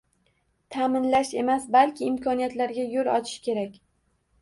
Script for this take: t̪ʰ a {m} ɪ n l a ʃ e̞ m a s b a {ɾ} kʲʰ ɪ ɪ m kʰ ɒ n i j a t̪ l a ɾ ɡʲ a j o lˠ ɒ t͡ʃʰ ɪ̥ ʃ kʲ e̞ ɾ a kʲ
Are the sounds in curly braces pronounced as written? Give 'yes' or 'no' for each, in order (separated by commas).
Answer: yes, no